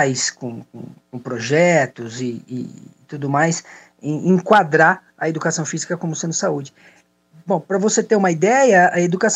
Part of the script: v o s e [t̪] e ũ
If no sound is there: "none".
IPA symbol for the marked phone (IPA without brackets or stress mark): t̪